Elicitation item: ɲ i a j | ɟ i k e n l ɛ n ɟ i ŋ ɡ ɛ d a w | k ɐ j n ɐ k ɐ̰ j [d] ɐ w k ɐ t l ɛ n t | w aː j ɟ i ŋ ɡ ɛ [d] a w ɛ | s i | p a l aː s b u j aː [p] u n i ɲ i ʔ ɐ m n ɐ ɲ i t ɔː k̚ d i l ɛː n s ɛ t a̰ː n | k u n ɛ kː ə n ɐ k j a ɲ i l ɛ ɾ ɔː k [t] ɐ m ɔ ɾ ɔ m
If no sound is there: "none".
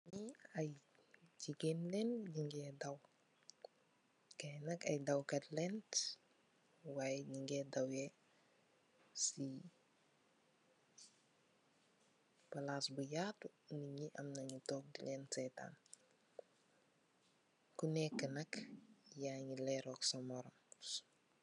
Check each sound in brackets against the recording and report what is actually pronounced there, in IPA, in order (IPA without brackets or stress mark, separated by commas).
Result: d, d, t, s